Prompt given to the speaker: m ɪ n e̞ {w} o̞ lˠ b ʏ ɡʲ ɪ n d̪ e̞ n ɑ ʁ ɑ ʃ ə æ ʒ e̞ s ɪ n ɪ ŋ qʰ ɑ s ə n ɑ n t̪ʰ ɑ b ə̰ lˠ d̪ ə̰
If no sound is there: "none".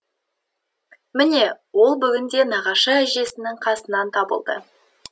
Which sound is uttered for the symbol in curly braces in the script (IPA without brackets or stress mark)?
w